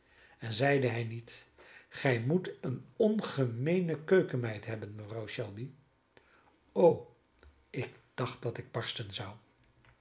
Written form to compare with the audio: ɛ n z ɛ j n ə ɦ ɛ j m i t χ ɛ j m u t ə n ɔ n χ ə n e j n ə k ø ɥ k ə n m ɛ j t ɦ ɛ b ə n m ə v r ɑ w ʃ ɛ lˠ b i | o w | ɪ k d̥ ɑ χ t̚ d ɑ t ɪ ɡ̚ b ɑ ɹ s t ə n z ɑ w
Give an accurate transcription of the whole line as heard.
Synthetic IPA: ɛ n z ɛ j d ə ɦ ɛ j n i t χ ɛ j m u t ə n ɔ n χ ə m e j n ə k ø ɥ k ə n m ɛ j t ɦ ɛ b ə n m ə v r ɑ w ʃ ɛ lˠ b i | o w | ɪ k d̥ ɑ χ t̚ d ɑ t ɪ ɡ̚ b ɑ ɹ s t ə n z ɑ w

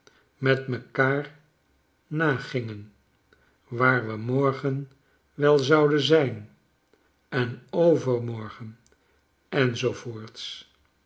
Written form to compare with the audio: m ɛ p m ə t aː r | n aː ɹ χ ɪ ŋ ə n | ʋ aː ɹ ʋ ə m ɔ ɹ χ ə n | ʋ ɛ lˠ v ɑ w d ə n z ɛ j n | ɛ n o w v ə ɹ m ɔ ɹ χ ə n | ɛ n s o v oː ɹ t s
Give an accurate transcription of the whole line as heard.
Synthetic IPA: m ɛ t m ə k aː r | n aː χ ɪ ŋ ə n | ʋ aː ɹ ʋ ə m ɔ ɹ χ ə n | ʋ ɛ lˠ z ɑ w d ə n z ɛ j n | ɛ n o w v ə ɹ m ɔ ɹ χ ə n | ɛ n z o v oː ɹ t s

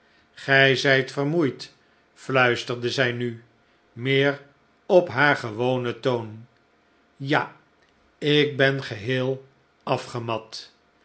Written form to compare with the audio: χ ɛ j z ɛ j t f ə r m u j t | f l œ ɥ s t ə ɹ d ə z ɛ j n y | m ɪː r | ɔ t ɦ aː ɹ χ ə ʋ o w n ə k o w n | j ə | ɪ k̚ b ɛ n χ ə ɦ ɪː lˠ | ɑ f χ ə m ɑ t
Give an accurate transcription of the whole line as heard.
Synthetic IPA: χ ɛ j z ɛ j t f ə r m u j t | f l œ ɥ s t ə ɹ d ə z ɛ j n y | m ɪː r | ɔ p ɦ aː ɹ χ ə ʋ o w n ə t o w n | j a | ɪ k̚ b ɛ n χ ə ɦ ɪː lˠ | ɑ f χ ə m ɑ t

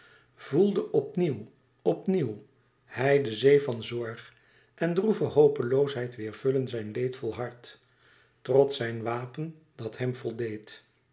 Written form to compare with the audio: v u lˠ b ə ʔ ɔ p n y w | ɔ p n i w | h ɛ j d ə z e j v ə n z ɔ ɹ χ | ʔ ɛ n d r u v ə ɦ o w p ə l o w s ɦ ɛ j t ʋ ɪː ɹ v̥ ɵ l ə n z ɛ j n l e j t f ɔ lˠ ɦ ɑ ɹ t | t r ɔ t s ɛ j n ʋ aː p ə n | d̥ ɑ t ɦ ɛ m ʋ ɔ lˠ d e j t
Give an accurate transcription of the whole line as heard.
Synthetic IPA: v u lˠ d ə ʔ ɔ p n i w | ɔ p n i w | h ɛ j d ə z e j v ɑ n z ɔ ɹ χ | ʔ ɛ n d r u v ə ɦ o w p ə l o w s ɦ ɛ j t ʋ ɪː ɹ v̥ ɵ l ə n z ɛ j n l e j t f ɔ lˠ ɦ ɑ ɹ t | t r ɔ t s ɛ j n ʋ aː p ə n | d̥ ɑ t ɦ ɛ m v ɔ lˠ d e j t

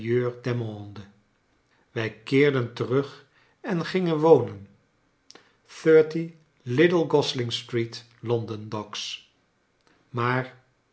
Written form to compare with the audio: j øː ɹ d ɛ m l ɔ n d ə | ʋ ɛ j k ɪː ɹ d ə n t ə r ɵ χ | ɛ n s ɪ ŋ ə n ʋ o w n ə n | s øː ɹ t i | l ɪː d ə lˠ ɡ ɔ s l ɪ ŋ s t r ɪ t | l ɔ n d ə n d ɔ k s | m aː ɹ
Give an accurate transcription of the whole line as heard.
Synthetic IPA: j øː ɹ d ɛ m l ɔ n d ə | ʋ ɛ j k ɪː ɹ d ə n t ə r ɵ χ | ɛ n χ ɪ ŋ ə n ʋ o w n ə n | θ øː ɹ t i | l ɪ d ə lˠ ɡ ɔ s l ɪ ŋ s t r i t | l ɔ n d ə n d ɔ k s | m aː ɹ

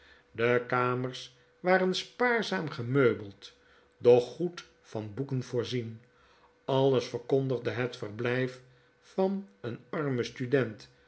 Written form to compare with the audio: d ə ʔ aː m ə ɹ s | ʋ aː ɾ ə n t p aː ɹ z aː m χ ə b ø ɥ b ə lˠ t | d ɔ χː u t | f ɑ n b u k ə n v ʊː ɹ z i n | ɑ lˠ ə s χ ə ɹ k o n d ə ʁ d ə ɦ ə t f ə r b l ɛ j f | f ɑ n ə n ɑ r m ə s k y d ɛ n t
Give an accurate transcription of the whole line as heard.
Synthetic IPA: d ə k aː m ə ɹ s | ʋ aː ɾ ə n s p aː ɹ z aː m χ ə m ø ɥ b ə lˠ t | d ɔ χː u t | f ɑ n b u k ə n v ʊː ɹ z i n | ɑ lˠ ə s f ə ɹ k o n d ə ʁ d ə ɦ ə t f ə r b l ɛ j f | f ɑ n ə n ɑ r m ə s t y d ɛ n t

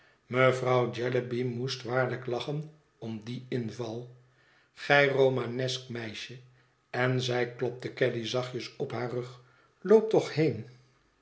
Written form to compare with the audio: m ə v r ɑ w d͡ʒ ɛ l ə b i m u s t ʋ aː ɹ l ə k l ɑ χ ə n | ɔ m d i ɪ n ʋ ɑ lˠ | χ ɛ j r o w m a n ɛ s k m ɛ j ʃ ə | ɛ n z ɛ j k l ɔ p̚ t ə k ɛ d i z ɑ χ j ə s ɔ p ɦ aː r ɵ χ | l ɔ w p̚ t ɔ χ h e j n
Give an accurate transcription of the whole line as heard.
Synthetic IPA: m ə v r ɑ w d͡ʒ ɛ l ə b i m u s t ʋ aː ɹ l ə k l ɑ χ ə n | ɔ m d i ɪ n v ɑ lˠ | χ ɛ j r o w m a n ɛ s k m ɛ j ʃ ə | ɛ n z ɛ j k l ɔ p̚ t ə k ɛ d i z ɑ χ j ə s ɔ p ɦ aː r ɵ χ | l o w p̚ t ɔ χ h e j n

